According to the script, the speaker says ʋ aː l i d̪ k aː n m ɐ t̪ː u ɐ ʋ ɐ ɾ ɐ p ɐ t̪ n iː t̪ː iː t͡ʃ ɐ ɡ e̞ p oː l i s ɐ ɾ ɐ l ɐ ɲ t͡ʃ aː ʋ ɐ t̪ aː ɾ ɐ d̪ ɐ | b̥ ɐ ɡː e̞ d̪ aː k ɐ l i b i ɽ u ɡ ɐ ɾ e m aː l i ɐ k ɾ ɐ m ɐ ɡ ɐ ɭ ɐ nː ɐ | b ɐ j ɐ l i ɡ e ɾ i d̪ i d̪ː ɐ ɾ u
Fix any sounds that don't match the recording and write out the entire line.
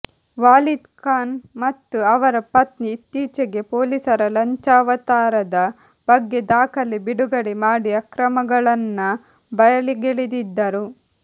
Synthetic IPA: ʋ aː l i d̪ k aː n m ɐ t̪ː u ɐ ʋ ɐ ɾ ɐ p ɐ t̪ n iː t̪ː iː t͡ʃ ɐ ɡ e̞ p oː l i s ɐ ɾ ɐ l ɐ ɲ t͡ʃ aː ʋ ɐ t̪ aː ɾ ɐ d̪ ɐ | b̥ ɐ ɡː e̞ d̪ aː k ɐ l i b i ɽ u ɡ ɐ ɽ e m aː ɽ i ɐ k ɾ ɐ m ɐ ɡ ɐ ɭ ɐ nː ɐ | b ɐ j ɐ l i ɡ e ɭ i d̪ i d̪ː ɐ ɾ u

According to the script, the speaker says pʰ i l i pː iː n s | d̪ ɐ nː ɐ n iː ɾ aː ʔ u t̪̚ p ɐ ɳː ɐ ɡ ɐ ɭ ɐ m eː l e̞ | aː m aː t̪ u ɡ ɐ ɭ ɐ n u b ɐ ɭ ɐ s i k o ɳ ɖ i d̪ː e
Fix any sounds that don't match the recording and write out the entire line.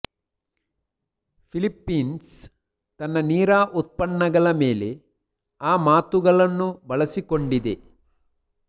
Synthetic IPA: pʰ i l i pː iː n s | t̪ ɐ nː ɐ n iː ɾ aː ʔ u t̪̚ p ɐ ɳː ɐ ɡ ɐ ɭ ɐ m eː l e̞ | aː m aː t̪ u ɡ ɐ ɭ ɐ nː u b ɐ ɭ ɐ s i k o ɳ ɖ i d̪ e

